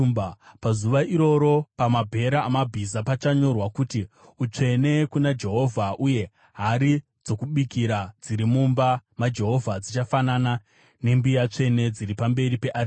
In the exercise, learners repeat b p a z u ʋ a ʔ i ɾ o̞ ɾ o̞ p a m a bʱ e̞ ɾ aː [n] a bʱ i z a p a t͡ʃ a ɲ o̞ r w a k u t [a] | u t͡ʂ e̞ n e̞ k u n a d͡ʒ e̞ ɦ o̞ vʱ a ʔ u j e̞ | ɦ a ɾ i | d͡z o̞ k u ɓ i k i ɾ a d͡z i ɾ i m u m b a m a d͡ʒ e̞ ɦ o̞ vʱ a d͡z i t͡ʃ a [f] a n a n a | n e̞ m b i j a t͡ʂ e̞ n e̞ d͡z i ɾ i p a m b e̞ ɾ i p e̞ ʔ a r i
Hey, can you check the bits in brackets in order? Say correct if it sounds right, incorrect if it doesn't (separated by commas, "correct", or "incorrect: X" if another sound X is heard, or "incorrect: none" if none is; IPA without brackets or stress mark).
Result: incorrect: m, incorrect: i, correct